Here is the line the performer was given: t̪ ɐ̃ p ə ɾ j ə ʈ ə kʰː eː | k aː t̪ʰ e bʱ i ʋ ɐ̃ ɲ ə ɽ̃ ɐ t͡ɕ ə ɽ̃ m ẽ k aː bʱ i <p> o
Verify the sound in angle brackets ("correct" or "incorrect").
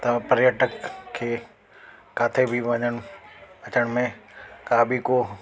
incorrect